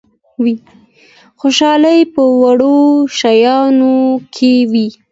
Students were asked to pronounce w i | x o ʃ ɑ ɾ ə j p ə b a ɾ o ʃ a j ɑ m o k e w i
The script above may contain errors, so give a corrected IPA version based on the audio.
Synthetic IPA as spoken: w i | x o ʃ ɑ l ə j p ə w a ɽ o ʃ a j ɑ n o kʰ e w i